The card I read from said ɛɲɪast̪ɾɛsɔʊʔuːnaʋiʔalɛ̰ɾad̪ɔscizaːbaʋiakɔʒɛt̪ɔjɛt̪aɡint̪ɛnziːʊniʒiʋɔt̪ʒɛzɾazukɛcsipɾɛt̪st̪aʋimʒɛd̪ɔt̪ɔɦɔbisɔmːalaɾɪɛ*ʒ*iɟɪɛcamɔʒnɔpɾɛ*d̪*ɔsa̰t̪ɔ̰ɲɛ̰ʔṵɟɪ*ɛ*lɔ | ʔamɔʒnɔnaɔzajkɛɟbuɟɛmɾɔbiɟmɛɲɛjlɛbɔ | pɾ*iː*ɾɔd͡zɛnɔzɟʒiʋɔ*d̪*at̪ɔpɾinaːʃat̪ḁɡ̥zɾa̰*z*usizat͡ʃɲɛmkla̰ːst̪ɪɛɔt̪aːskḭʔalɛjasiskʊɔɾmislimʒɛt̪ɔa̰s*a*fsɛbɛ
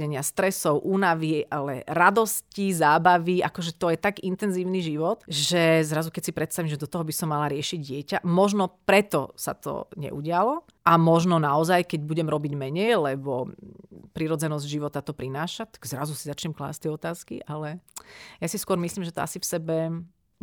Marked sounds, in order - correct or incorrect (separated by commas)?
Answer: incorrect, incorrect, incorrect, incorrect, incorrect, correct, incorrect